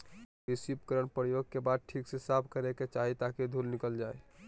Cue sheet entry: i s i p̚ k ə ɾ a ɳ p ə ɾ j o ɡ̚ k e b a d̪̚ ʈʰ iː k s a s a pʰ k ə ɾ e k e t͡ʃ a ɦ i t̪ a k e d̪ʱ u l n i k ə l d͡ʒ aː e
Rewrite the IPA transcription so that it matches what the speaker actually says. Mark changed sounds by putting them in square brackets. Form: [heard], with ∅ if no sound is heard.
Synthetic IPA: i s i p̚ k ə ɾ [ə] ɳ p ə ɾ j o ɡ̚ k e b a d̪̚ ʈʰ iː k s [e] s a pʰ k ə ɾ e k e t͡ʃ a ɦ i t̪ a k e d̪ʱ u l n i k ə l d͡ʒ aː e